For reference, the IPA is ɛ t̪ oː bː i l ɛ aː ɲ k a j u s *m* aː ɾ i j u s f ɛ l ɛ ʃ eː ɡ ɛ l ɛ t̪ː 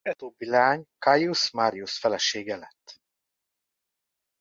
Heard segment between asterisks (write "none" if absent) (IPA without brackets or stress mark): m